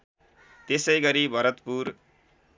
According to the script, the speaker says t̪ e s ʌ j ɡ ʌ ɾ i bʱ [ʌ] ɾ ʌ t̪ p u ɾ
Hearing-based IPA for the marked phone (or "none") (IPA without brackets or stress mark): ʌ